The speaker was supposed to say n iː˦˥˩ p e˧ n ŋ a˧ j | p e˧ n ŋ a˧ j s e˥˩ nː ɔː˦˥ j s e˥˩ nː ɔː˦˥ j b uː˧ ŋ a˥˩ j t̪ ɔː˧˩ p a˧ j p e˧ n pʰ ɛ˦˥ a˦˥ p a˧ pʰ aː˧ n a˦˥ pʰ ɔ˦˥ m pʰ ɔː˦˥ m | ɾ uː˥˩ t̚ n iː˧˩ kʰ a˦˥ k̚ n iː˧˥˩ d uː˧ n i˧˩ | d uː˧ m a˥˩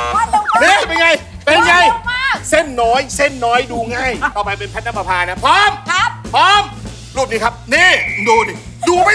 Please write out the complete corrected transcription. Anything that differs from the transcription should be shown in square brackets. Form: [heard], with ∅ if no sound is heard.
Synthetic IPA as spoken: n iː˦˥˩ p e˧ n ŋ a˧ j | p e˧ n ŋ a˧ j s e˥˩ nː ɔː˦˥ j s e˥˩ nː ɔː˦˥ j [d] uː˧ ŋ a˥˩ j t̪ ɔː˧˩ p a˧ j p e˧ n pʰ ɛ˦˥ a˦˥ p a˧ pʰ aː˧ n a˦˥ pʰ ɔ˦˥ m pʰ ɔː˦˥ m | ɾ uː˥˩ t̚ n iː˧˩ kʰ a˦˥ [p̚] n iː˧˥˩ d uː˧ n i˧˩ | d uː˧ m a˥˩